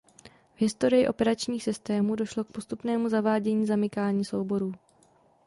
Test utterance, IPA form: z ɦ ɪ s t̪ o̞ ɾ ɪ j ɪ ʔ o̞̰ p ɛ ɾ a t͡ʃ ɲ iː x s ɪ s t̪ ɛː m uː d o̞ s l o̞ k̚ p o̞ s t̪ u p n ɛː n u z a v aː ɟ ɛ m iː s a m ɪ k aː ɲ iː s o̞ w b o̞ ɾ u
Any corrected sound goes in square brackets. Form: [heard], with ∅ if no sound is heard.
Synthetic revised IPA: [v] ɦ ɪ s t̪ o̞ ɾ ɪ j ɪ ʔ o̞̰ p ɛ ɾ a t͡ʃ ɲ iː x s ɪ s t̪ ɛː m uː d o̞ [ʃ] l o̞ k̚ p o̞ s t̪ u p n ɛː [m] u z a v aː ɟ ɛ [ɲ] iː [z] a m ɪ k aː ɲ iː s o̞ w b o̞ ɾ [uː]